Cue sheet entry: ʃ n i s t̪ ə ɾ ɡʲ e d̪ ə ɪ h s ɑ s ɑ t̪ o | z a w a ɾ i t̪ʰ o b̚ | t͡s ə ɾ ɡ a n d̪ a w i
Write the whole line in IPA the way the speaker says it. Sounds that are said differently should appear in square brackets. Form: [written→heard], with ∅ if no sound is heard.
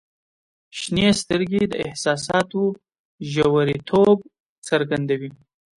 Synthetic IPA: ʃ n [i→e] s t̪ ə ɾ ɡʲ e d̪ ə ɪ h s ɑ s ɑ t̪ o | [z→ʒ] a w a ɾ i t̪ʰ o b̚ | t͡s ə ɾ ɡ a n d̪ a w i